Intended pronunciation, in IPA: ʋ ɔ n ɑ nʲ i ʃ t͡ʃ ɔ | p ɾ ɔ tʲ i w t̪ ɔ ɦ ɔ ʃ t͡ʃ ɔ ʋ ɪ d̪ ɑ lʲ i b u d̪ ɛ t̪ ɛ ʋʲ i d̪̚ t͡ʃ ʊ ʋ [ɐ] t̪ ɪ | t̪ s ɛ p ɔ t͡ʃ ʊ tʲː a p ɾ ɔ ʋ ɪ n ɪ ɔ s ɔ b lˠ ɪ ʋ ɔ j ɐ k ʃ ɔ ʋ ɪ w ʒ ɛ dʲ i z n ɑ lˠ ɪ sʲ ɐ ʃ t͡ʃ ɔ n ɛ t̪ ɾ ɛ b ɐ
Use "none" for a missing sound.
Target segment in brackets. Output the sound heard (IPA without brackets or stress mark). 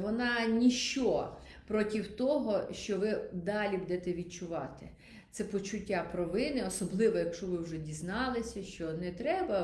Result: ɑ